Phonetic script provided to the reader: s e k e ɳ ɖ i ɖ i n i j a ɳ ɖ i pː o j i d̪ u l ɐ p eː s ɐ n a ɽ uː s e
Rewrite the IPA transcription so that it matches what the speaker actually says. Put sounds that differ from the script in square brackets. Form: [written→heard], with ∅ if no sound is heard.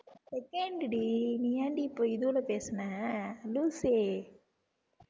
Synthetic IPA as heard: s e k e ɳ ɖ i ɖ i n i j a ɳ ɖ i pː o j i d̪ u l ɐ p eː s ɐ n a [ɽ→l] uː s e